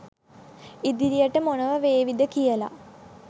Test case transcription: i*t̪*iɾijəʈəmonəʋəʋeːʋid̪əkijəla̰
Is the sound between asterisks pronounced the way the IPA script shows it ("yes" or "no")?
no